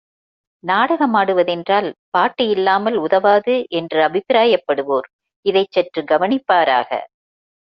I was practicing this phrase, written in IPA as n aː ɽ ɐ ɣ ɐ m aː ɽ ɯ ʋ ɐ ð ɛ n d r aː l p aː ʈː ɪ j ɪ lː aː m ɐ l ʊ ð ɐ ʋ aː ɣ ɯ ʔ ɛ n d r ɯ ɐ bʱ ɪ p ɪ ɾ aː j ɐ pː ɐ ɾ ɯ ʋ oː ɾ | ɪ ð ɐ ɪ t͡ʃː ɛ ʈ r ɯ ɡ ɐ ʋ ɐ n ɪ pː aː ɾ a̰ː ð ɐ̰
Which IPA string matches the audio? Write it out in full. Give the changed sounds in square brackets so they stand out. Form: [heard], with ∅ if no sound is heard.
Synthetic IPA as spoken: n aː ɽ ɐ ɣ ɐ m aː ɽ ɯ ʋ ɐ ð ɛ n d r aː l p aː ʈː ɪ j ɪ lː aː m ɐ l ʊ ð ɐ ʋ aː [ð] ɯ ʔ ɛ n d r ɯ ɐ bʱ ɪ p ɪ ɾ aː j ɐ pː ɐ [ɽ] ɯ ʋ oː ɾ | ɪ ð ɐ ɪ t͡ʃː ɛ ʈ r ɯ ɡ ɐ ʋ ɐ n ɪ pː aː ɾ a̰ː [ɣ] ɐ̰

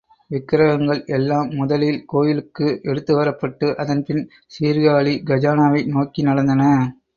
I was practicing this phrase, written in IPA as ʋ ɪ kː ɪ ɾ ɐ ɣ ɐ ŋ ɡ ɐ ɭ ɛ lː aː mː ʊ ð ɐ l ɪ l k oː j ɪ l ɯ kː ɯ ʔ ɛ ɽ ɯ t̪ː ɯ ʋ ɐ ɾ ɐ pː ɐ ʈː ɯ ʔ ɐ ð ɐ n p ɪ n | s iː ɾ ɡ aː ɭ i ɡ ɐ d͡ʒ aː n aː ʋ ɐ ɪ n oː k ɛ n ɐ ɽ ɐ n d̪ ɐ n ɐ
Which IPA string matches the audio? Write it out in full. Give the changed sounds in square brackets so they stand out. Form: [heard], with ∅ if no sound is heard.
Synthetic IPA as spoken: ʋ ɪ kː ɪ ɾ ɐ ɣ ɐ ŋ ɡ ɐ ɭ ɛ lː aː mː ʊ ð ɐ l ɪ l k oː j ɪ l ɯ kː ɯ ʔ ɛ ɽ ɯ t̪ː ɯ ʋ ɐ ɾ ɐ pː ɐ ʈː ɯ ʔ ɐ ð ɐ n p ɪ n | s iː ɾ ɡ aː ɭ i ɡ ɐ d͡ʒ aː n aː ʋ ɐ ɪ n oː k [i] n ɐ ɽ ɐ n d̪ ɐ n ɐ

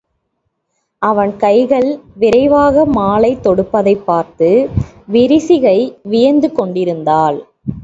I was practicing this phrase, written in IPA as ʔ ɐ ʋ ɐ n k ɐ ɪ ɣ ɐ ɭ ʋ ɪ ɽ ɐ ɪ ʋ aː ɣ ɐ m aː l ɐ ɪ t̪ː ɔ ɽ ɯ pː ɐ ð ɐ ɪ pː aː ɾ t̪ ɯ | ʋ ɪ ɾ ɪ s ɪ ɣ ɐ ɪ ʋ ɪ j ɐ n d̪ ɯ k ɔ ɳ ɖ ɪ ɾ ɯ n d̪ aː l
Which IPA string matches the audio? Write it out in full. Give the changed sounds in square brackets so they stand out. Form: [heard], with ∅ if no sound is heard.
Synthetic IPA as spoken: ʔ ɐ ʋ ɐ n k ɐ ɪ ɣ ɐ ɭ ʋ ɪ [ɾ] ɐ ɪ ʋ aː ɣ ɐ m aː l ɐ ɪ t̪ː ɔ ɽ ɯ pː ɐ ð ɐ ɪ pː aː ɾ t̪ ɯ | ʋ ɪ ɾ ɪ s ɪ ɣ ɐ ɪ ʋ ɪ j ɐ n d̪ ɯ k ɔ ɳ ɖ ɪ ɾ ɯ n d̪ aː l

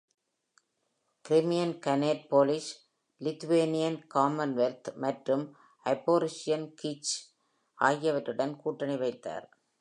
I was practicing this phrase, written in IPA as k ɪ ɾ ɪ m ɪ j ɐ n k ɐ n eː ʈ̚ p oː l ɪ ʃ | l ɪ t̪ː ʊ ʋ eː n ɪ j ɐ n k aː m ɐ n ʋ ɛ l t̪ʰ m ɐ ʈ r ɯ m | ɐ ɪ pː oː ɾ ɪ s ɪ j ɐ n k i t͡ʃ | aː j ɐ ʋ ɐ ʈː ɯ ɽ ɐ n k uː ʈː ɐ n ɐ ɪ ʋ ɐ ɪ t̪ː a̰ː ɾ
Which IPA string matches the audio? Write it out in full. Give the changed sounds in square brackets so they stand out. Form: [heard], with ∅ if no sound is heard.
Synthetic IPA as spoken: k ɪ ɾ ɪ m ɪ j ɐ n k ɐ n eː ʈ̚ p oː l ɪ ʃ | l ɪ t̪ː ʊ ʋ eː n ɪ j ɐ n k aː m ɐ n ʋ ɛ l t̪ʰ m ɐ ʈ r ɯ m | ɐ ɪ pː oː ɾ ɪ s ɪ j ɐ n k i t͡ʃ | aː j ɐ ʋ ɐ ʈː ɯ ɽ ɐ n k uː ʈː ɐ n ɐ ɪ ʋ ɐ ɪ t̪ː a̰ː ɾ

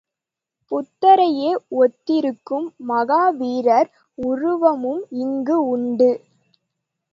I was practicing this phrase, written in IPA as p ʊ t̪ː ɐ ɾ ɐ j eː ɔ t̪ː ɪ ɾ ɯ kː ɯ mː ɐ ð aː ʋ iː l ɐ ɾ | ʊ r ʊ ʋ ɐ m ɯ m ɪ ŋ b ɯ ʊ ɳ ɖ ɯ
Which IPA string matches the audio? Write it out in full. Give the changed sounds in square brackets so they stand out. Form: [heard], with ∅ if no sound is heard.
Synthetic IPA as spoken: p ʊ t̪ː ɐ ɾ ɐ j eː ɔ t̪ː ɪ ɾ ɯ kː ɯ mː ɐ [ɣ] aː ʋ iː [ɾ] ɐ ɾ | ʊ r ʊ ʋ ɐ m ɯ m ɪ ŋ [ɡ] ɯ ʊ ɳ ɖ ɯ

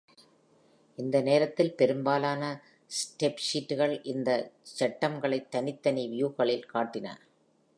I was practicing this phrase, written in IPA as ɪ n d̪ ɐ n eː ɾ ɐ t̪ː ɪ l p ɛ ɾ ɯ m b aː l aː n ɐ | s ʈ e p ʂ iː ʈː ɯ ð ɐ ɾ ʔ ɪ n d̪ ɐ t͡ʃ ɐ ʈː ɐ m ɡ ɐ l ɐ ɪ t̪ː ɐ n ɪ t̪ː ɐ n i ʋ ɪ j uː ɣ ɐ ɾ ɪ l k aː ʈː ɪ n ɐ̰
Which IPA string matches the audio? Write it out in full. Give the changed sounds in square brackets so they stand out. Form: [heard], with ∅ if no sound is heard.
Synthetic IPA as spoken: ɪ n d̪ ɐ n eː ɾ ɐ t̪ː ɪ l p ɛ ɾ ɯ m b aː l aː n ɐ | s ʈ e p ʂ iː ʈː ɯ [ɣ] ɐ [ɭ] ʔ ɪ n d̪ ɐ t͡ʃ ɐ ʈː ɐ m ɡ ɐ [ɭ] ɐ ɪ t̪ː ɐ n ɪ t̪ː ɐ n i ʋ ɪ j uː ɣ ɐ [ɭ] ɪ l k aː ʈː ɪ n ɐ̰

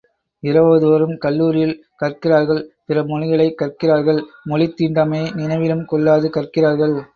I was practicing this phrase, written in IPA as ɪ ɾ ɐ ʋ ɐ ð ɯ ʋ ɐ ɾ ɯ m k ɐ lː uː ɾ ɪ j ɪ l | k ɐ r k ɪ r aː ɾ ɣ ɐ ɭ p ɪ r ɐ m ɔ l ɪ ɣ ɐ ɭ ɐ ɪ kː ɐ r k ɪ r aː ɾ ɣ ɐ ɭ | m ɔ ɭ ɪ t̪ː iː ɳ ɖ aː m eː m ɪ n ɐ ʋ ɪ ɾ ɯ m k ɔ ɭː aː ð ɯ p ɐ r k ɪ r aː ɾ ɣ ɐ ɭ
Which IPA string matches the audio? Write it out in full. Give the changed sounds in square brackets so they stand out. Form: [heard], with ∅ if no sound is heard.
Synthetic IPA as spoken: ɪ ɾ ɐ ʋ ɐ ð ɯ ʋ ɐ ɾ ɯ m k ɐ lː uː ɾ ɪ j ɪ l | k ɐ r k ɪ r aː ɾ ɣ ɐ ɭ p ɪ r ɐ m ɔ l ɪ ɣ ɐ ɭ ɐ ɪ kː ɐ r k ɪ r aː ɾ ɣ ɐ ɭ | m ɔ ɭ ɪ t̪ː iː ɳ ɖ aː m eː [n] ɪ n ɐ ʋ ɪ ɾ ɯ m k ɔ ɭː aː ð ɯ [k] ɐ r k ɪ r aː ɾ ɣ ɐ ɭ

